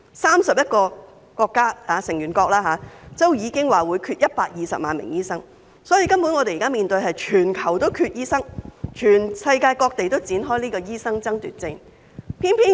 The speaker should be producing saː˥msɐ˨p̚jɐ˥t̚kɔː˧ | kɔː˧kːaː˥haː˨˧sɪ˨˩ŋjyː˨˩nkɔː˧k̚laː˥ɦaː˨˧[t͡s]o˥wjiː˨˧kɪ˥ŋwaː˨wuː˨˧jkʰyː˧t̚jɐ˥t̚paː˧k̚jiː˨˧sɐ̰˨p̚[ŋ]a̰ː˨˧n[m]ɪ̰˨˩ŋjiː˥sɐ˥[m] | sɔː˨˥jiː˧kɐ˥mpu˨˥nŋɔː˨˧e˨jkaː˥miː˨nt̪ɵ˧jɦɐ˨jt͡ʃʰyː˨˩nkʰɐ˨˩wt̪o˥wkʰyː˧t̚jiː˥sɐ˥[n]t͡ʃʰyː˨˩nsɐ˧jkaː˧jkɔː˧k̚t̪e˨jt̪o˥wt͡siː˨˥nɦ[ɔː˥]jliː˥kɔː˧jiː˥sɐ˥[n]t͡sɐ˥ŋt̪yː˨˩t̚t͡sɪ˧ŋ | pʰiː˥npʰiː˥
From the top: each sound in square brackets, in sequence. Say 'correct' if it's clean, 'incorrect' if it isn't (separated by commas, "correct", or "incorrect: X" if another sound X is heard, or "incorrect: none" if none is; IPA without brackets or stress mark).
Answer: correct, incorrect: m, correct, incorrect: ŋ, incorrect: ŋ, correct, incorrect: ŋ